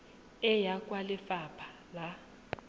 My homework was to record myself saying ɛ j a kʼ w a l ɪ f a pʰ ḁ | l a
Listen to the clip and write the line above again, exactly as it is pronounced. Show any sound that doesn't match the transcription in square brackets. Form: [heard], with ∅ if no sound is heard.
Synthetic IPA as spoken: ɛ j a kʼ w a l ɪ f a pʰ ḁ | l a